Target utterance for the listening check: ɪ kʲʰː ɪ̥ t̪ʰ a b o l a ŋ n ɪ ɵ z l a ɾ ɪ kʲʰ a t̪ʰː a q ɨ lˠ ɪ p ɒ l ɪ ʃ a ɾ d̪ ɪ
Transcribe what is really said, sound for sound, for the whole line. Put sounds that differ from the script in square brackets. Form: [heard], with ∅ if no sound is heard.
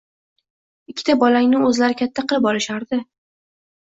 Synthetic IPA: ɪ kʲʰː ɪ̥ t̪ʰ a b [ɒ] l a ŋ n ɪ ɵ z l a ɾ ɪ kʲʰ a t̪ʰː a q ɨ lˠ ɪ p ɒ l ɪ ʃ a ɾ d̪ ɪ